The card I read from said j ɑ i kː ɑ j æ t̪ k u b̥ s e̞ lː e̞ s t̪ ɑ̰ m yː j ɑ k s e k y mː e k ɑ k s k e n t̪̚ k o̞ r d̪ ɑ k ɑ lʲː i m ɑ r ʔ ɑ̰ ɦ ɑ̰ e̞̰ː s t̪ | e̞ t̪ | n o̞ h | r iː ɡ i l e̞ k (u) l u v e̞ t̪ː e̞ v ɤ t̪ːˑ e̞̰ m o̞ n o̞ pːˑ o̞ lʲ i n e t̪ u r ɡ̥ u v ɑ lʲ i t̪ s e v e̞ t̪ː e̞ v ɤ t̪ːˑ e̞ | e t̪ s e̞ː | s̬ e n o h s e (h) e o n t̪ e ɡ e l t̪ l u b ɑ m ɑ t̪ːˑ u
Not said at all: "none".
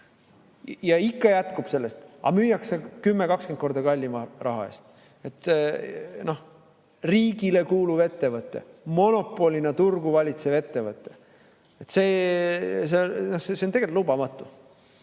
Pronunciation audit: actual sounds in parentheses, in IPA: uː, s

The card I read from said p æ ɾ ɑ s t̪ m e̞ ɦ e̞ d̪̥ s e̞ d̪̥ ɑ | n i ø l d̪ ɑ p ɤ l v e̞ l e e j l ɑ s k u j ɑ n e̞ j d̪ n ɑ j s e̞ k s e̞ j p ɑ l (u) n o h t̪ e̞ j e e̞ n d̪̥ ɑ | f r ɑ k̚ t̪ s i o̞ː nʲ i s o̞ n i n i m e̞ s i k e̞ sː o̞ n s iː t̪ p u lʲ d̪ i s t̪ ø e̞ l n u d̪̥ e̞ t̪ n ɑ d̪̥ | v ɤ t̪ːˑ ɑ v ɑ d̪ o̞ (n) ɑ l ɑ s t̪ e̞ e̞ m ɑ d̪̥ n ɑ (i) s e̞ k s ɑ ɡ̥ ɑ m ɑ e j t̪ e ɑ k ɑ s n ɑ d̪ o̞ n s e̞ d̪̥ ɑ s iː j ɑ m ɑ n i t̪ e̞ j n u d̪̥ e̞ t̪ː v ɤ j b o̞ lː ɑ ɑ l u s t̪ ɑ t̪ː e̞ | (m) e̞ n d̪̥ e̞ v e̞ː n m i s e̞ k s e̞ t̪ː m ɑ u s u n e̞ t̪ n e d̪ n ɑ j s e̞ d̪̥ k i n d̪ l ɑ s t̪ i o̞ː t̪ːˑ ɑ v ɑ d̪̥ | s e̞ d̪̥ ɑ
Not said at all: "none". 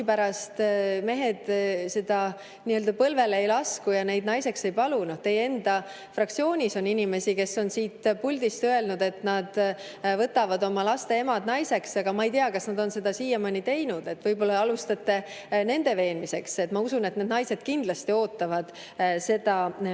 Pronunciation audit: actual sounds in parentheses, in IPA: u, m, j, n

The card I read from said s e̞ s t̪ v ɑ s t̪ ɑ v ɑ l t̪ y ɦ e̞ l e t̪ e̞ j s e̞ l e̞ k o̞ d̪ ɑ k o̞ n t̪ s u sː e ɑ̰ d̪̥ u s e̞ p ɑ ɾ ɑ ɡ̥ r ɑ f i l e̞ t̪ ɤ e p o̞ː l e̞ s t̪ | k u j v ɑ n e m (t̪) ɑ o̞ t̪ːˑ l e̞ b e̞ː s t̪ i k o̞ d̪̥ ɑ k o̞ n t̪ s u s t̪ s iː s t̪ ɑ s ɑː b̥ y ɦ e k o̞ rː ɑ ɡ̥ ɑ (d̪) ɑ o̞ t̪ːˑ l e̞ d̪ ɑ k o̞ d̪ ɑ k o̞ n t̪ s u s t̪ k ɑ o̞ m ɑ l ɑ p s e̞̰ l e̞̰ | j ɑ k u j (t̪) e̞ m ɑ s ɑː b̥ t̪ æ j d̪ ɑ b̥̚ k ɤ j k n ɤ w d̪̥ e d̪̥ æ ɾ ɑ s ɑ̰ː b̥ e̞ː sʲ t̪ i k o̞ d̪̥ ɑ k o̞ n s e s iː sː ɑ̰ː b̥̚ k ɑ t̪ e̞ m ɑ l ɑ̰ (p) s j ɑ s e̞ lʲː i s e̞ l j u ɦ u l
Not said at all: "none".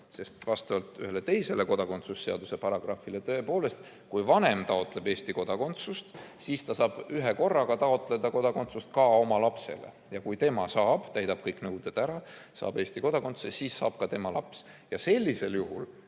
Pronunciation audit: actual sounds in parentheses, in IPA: t̪, t̪, t̪, p

